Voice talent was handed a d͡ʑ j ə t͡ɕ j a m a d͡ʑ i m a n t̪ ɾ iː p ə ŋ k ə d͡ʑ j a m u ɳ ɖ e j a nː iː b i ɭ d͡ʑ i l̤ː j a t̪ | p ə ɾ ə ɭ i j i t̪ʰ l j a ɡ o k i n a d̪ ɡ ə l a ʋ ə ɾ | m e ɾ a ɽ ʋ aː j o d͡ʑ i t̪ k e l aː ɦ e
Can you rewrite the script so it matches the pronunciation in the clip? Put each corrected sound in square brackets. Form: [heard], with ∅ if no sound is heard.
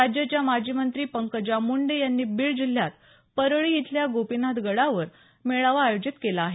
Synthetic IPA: a d͡ʑ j ə t͡ɕ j a m a d͡ʑ i m [ə] n t̪ ɾ iː p ə ŋ k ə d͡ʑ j a m u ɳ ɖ e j a nː iː b i ɭ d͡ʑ i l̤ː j a t̪ | p ə ɾ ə ɭ i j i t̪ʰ l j a ɡ o [p] i n a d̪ ɡ ə [ɽ] a ʋ ə ɾ | m e [ɭ] a [∅] ʋ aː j o d͡ʑ i t̪ k e l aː ɦ e